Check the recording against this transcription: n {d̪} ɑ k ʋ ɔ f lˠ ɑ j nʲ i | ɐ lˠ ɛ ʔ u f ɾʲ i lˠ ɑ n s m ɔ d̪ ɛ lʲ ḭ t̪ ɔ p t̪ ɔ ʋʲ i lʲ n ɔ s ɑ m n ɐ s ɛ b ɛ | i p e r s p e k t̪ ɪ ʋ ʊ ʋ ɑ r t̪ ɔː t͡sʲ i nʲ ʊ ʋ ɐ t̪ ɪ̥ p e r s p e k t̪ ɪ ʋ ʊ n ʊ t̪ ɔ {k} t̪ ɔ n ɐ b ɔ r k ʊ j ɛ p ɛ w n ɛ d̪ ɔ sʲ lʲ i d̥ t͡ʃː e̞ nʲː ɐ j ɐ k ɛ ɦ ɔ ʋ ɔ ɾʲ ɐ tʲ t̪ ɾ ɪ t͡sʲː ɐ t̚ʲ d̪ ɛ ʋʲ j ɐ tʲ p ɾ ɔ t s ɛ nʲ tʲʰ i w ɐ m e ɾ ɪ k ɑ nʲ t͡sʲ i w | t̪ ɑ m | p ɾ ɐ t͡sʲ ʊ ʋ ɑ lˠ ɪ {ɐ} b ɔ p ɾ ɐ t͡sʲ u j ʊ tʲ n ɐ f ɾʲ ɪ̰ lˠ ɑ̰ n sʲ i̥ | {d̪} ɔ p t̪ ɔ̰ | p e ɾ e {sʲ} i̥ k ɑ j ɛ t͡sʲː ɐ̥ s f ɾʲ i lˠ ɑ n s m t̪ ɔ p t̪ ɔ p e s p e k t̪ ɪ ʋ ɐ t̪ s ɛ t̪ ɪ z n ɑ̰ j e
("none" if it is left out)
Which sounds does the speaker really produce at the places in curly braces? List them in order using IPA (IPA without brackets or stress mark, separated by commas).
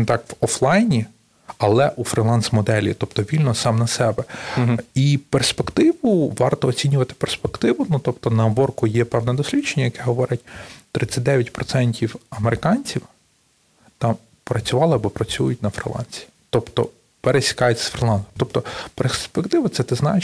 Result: t̪, p, ɐ, t̪, sʲ